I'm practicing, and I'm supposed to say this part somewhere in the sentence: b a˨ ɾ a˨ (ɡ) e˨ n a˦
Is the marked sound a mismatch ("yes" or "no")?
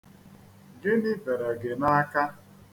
no